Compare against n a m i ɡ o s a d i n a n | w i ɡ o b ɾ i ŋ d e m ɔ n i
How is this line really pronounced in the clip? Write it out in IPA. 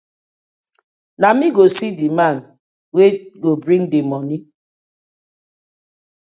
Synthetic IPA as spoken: n a m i ɡ o s i d i m a n | w e ɡ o b ɾ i ŋ d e m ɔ n i

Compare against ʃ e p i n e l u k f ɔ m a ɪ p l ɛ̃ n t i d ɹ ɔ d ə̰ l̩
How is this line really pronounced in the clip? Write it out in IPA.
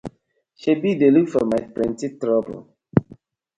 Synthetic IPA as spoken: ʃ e b i d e l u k f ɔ m a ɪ p ɹ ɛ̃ n t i t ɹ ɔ b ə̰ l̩

